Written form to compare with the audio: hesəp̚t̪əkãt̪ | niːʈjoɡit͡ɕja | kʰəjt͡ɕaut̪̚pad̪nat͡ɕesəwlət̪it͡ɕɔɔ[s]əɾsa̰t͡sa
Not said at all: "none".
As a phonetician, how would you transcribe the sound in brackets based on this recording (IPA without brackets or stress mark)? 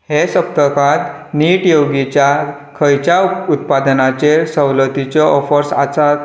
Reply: f